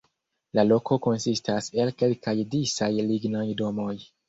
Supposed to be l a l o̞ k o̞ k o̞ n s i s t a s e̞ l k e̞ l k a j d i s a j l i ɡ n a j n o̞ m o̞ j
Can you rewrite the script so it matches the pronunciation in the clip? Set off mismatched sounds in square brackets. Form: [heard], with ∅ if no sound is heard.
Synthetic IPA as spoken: l a l o̞ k o̞ k o̞ n s i s t a s e̞ l k e̞ l k a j d i s a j l i ɡ n a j [d] o̞ m o̞ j